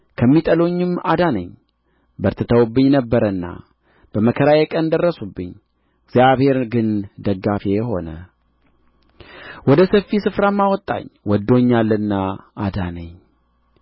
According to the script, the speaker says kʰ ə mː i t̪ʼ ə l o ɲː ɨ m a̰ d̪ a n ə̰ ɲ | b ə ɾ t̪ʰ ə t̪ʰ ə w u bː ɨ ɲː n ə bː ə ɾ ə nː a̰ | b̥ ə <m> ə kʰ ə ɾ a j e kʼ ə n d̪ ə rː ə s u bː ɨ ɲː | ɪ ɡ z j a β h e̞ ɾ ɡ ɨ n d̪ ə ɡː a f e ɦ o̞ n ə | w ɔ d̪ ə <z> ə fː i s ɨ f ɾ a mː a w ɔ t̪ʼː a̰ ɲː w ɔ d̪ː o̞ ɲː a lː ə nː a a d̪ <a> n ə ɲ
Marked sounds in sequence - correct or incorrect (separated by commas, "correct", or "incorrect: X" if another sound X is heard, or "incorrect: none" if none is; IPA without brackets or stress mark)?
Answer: correct, incorrect: s, correct